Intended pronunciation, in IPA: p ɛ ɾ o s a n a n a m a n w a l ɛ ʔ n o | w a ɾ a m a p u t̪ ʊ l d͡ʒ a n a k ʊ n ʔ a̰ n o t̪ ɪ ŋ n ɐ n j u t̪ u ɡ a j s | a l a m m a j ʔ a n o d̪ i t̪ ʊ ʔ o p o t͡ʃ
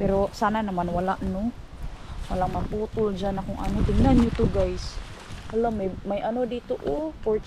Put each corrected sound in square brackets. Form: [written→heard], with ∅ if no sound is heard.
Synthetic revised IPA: p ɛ ɾ o s a n a n a m a n w a l [ɛ→a] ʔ n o | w a [ɾ→l] a m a p u t̪ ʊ l d͡ʒ a n a k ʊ [n→ŋ] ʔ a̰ n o t̪ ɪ ŋ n [ɐ→a] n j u t̪ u ɡ a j s | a l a m m a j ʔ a n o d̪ i t̪ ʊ ʔ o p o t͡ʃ

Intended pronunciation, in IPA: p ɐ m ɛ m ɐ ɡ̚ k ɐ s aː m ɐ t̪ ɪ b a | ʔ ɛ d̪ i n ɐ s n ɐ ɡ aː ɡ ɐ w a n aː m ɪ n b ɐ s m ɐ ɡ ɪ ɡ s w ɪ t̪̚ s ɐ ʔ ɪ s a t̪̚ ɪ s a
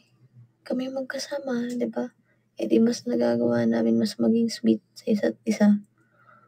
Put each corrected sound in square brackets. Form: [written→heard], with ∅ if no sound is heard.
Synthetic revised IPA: [p→k] ɐ m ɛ m ɐ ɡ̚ k ɐ s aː m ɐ [t̪→d̪] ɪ b a | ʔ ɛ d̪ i [n→m] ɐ s n ɐ ɡ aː ɡ ɐ w a n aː m ɪ n [b→m] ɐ s m ɐ ɡ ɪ [ɡ→ŋ] s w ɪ t̪̚ s ɐ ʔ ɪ s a t̪̚ ɪ s a

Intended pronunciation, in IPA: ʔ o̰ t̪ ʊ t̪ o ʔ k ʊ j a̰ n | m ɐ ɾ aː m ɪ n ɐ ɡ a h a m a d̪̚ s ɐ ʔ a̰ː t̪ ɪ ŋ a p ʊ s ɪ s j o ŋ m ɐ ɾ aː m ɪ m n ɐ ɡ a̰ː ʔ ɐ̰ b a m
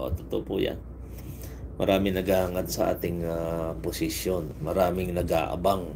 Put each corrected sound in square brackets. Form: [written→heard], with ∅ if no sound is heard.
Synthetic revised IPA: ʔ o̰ t̪ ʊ t̪ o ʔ [k→p] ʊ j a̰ n | m ɐ ɾ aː m ɪ n ɐ ɡ a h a [m→ŋ] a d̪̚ s ɐ ʔ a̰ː t̪ ɪ ŋ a p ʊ s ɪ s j o [ŋ→n] m ɐ ɾ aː m ɪ [m→ŋ] n ɐ ɡ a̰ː ʔ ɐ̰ b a [m→ŋ]

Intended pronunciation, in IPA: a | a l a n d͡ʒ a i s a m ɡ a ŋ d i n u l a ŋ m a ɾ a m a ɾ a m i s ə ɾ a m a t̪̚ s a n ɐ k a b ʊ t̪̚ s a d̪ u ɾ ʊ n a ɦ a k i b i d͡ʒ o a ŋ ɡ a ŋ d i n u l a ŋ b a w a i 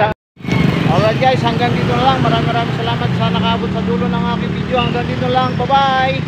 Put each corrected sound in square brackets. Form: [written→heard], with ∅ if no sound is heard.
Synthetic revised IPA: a | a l a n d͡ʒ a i s a [m→ŋ] ɡ a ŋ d i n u l a ŋ m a ɾ a m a ɾ a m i s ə [ɾ→l] a m a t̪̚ s a n [ɐ→a] k a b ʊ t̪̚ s a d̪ u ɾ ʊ n a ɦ a k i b i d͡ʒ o a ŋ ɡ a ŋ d i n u l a ŋ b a [w→b] a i

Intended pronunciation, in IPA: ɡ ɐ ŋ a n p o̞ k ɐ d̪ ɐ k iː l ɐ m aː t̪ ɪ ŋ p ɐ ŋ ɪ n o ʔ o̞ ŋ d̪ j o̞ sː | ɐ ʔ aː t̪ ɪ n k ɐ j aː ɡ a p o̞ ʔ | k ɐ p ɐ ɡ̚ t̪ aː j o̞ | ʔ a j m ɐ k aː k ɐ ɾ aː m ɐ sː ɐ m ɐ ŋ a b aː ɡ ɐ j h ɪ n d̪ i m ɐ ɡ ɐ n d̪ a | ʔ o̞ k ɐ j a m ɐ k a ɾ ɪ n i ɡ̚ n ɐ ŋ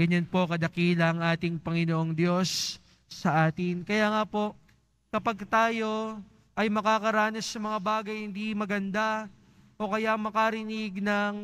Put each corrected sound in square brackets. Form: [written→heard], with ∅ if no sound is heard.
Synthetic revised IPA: ɡ ɐ [ŋ→ɲ] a n p o̞ k ɐ d̪ ɐ k iː l ɐ [m→ŋ] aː t̪ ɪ ŋ p ɐ ŋ ɪ n o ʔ o̞ ŋ d̪ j o̞ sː | ɐ ʔ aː t̪ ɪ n k ɐ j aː [ɡ→ŋ] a p o̞ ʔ | k ɐ p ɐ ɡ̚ t̪ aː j o̞ | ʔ [a→ɐ] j m ɐ k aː k ɐ ɾ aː [m→n] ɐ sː ɐ m ɐ ŋ a b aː ɡ ɐ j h ɪ n d̪ i m ɐ ɡ ɐ n d̪ a | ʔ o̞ k ɐ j a m ɐ k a ɾ ɪ n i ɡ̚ n ɐ ŋ

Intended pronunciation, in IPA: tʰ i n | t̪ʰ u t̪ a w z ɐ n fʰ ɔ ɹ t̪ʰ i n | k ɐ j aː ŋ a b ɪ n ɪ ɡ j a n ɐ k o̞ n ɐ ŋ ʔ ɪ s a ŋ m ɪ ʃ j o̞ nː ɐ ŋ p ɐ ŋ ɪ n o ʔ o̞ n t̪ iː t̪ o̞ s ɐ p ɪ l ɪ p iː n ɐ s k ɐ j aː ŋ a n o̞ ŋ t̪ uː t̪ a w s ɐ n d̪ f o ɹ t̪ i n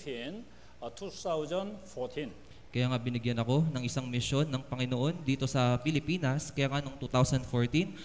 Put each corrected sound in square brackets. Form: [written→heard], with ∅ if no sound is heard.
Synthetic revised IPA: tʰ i n | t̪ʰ u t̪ a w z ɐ n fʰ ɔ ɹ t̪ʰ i n | k ɐ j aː ŋ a b ɪ n ɪ ɡ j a n ɐ k o̞ n ɐ ŋ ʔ ɪ s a ŋ m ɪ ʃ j o̞ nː ɐ ŋ p ɐ ŋ ɪ n o ʔ o̞ n [t̪→d̪] iː t̪ o̞ s ɐ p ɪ l ɪ p iː n ɐ s k ɐ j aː ŋ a n o̞ ŋ t̪ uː t̪ a w s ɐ n d̪ f o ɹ t̪ i n

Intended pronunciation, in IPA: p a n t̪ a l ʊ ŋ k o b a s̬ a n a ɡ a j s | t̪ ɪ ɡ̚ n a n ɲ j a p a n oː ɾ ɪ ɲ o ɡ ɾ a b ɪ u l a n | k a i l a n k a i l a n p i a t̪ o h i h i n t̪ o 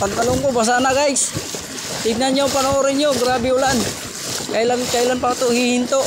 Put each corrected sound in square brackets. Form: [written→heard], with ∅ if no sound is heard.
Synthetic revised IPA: p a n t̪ a l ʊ ŋ k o b a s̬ a n a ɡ a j s | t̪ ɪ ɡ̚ n a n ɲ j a p a n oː ɾ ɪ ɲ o ɡ ɾ a b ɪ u l a n | k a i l a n k a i l a n p [i→a] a t̪ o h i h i n t̪ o

